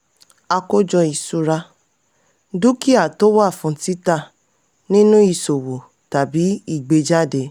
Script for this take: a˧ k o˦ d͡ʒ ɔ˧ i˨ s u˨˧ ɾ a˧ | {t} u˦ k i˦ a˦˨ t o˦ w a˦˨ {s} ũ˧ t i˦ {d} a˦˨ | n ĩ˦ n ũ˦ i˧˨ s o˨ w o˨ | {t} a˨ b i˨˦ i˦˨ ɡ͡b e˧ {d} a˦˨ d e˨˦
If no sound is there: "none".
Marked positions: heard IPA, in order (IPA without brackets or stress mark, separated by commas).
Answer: d, f, t, t, d͡ʒ